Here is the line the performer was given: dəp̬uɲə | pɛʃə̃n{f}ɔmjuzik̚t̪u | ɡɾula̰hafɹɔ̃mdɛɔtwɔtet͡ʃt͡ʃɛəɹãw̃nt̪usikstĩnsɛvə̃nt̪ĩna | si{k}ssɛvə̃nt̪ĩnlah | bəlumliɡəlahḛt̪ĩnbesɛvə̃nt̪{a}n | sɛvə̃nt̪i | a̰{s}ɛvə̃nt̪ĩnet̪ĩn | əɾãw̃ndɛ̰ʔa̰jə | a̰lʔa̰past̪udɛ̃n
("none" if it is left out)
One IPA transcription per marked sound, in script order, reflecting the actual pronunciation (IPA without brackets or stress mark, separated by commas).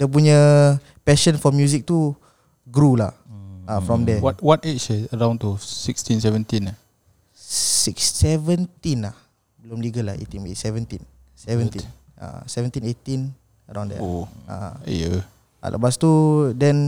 f, k, i, s